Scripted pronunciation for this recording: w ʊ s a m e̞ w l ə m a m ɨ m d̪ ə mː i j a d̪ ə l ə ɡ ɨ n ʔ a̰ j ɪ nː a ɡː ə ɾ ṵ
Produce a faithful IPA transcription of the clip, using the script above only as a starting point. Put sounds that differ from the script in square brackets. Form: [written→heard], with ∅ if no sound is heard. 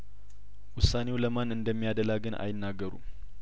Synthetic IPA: w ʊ s a [m→n] e̞ w l ə m a [m→n] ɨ [m→n] d̪ ə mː i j a d̪ ə l [ə→a] ɡ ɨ n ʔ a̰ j ɪ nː a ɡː ə ɾ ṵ